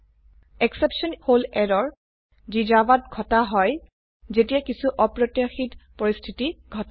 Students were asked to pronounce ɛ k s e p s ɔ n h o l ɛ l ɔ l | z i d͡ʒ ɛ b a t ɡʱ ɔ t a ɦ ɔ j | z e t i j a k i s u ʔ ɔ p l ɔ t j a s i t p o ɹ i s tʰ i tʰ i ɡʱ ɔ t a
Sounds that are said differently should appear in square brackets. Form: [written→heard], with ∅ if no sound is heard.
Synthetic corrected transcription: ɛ k s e p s ɔ n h o l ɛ [l→ɹ] ɔ [l→ɹ] | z i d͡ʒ [ɛ→a] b a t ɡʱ ɔ t a ɦ ɔ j | z e t i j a k i s u ʔ ɔ p [l→ɹ] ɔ t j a [s→x] i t p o ɹ i s tʰ i [tʰ→t] i ɡʱ ɔ t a